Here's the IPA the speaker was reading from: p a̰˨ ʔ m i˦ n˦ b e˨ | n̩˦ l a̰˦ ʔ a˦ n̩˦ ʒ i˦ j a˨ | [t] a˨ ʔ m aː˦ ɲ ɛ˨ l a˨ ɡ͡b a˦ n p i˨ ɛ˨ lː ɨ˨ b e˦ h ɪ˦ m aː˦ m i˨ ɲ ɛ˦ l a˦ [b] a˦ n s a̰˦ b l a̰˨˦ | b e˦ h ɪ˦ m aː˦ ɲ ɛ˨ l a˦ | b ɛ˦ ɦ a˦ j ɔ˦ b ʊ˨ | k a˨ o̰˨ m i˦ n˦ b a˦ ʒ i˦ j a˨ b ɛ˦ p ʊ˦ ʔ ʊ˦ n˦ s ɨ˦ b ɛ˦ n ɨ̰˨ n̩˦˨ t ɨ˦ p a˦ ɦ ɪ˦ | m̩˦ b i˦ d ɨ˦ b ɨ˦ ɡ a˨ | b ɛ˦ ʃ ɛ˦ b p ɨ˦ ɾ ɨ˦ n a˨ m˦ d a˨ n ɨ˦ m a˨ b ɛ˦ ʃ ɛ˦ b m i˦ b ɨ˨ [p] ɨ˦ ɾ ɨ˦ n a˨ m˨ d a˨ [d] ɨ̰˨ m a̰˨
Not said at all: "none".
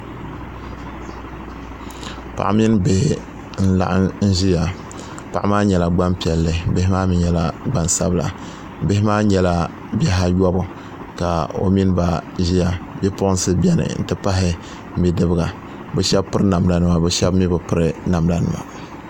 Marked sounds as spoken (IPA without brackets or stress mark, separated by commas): p, ɡ͡b, p, n